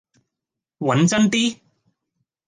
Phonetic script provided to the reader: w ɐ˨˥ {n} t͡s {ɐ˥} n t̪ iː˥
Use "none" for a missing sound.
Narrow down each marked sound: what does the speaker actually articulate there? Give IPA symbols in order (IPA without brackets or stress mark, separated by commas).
n, ɐ˥